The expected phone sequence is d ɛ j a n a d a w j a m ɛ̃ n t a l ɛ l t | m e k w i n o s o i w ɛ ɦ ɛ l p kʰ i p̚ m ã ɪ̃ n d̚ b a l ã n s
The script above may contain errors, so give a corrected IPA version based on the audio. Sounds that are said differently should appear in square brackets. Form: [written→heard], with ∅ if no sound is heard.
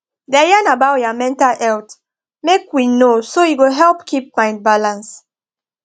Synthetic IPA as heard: d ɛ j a n a [d→b] a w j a m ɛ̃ n t a l ɛ l t | m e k w i n o s o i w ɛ ɦ ɛ l p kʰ i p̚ m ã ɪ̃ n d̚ b a l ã n s

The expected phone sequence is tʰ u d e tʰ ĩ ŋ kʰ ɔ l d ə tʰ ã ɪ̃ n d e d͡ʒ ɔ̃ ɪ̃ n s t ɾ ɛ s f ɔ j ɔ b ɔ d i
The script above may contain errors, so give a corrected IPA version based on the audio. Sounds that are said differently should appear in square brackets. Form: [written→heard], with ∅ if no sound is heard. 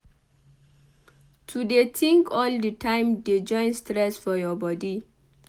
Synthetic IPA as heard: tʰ u d e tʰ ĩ ŋ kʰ ɔ l d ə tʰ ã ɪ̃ [n→m] d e d͡ʒ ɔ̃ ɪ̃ n s t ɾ ɛ s f ɔ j ɔ b ɔ d i

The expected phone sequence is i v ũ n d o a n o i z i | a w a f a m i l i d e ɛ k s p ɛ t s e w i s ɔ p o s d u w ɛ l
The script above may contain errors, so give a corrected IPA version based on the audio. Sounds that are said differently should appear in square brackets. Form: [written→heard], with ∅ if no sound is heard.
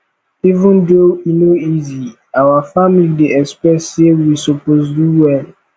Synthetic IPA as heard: i v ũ n d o [a→i] n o i z i | a w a f a m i l i d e ɛ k s p ɛ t s e w i s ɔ p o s d u w ɛ l

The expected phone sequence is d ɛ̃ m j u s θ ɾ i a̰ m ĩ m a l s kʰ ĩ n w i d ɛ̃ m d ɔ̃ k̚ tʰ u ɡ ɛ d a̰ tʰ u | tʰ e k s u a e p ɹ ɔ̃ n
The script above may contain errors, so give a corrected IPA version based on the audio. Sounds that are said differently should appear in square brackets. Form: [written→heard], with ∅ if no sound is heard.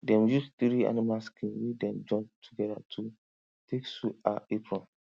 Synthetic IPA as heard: d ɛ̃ m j u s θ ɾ i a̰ [m→n] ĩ m a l s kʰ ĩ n w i d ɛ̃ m [d→d͡ʒ] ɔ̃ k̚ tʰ u ɡ ɛ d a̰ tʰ u | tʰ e k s u a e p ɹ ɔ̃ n

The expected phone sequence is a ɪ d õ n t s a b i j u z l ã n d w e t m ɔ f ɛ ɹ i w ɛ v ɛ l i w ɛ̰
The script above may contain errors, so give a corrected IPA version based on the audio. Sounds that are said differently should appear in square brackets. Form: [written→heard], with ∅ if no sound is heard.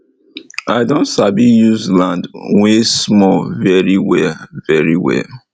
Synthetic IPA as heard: a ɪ d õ n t s a b i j u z l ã n d w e [t→s] m ɔ [f→v] ɛ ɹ i w ɛ v ɛ [l→ɹ] i w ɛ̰

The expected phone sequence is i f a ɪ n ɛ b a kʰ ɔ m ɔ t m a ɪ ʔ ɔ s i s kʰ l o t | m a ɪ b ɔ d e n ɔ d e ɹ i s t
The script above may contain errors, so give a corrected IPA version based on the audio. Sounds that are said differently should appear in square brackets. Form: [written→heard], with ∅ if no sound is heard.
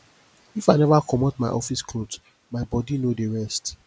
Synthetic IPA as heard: i f a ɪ n ɛ [b→v] a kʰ ɔ m ɔ t m a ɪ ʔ ɔ [s→f] i s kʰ l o t | m a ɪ b ɔ d [e→i] n [ɔ→o] d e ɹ [i→ɛ] s t

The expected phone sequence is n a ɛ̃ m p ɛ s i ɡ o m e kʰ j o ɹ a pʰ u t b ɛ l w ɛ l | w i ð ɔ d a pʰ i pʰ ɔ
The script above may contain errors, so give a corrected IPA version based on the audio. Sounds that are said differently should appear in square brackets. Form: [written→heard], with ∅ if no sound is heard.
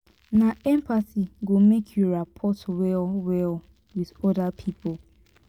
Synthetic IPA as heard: n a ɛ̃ m p [ɛ→a] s i ɡ o m e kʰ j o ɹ a pʰ [u→ɔ] t [b→w] ɛ l w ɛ l | w i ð ɔ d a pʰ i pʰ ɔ

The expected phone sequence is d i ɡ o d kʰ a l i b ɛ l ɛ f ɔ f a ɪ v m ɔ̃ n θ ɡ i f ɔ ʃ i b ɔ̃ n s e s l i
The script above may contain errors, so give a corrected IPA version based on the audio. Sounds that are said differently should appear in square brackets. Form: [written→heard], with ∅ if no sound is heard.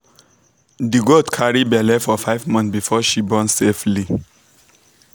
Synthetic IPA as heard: d i ɡ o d kʰ a [l→ɹ] i b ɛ l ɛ f ɔ f a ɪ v m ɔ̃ n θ [ɡ→b] i f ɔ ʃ i b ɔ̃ n s e [s→f] l i

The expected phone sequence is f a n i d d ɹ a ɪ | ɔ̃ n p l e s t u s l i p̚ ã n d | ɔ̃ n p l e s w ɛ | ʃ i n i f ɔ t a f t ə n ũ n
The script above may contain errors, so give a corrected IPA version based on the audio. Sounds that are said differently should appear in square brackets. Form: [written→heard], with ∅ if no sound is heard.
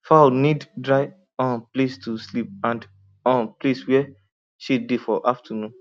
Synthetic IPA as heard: f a n i d d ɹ a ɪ | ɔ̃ n p l e s t u s l i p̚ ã n d | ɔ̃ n p l e s w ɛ | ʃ i [n→d] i f ɔ [t→ʔ] a f t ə n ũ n

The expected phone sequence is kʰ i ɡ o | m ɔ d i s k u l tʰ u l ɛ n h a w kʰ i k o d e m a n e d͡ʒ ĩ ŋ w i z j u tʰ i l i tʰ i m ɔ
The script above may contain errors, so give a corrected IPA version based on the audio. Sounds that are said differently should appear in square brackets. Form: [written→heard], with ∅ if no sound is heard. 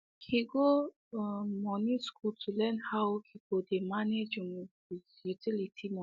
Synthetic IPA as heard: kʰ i ɡ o | m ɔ [d→n] i s k u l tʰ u l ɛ n h a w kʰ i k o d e m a n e d͡ʒ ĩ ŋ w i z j u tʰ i l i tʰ i m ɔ

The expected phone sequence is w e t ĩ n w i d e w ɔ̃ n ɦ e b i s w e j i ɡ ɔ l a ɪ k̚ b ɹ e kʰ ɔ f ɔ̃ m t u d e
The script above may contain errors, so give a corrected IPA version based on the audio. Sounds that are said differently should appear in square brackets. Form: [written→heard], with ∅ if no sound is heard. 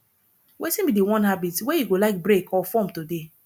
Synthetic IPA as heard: w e t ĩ n [w→b] i d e w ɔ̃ n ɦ [e→a] b i [s→t] w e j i ɡ [ɔ→o] l a ɪ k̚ b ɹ e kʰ ɔ f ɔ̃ m t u d e

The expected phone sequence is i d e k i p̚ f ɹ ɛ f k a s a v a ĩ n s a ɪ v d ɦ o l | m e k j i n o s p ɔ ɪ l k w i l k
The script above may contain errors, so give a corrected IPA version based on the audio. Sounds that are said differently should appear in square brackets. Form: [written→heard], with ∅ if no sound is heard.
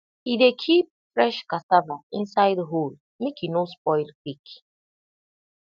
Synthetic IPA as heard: i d e [k→kʰ] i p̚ f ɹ ɛ [f→ʃ] k a s a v a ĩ n s a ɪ [v→∅] d ɦ o l | m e k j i n o s p ɔ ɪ l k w i [l→∅] k

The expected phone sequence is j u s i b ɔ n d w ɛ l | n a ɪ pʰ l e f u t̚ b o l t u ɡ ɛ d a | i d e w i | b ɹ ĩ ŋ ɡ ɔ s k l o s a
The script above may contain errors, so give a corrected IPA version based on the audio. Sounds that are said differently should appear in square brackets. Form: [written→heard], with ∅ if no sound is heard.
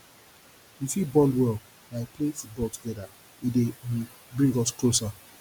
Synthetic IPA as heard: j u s i b ɔ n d w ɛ l | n a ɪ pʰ l e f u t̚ b [o→ɔ] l t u ɡ ɛ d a | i d e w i | b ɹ ĩ ŋ ɡ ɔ s k l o s a

